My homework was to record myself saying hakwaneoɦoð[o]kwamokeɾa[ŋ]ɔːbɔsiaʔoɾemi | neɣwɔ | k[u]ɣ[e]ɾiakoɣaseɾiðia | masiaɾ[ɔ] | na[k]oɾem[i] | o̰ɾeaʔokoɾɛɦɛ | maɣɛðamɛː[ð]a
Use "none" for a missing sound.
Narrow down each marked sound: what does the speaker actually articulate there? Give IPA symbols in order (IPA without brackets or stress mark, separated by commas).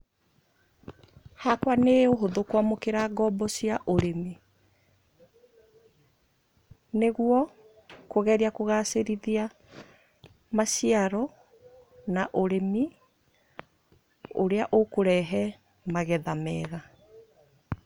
o, ɡ, o, ɛ, ɔ, ʔ, i, ɣ